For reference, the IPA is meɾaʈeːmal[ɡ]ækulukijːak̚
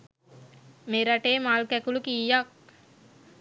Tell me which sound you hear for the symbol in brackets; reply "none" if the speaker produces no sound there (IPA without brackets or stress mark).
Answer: k